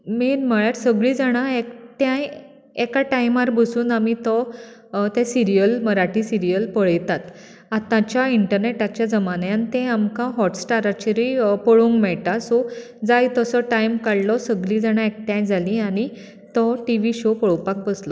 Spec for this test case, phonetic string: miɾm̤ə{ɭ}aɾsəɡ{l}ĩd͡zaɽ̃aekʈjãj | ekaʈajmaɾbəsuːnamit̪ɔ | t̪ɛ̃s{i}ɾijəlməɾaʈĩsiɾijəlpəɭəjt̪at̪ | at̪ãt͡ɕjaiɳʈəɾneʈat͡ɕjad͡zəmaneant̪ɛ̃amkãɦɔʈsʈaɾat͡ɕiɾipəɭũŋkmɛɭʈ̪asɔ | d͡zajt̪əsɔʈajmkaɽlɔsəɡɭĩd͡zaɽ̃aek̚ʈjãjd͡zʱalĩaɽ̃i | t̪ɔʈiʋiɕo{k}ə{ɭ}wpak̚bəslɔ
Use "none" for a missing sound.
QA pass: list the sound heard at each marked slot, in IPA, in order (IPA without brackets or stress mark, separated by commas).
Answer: ɭ, ɭ, i, p, ɭ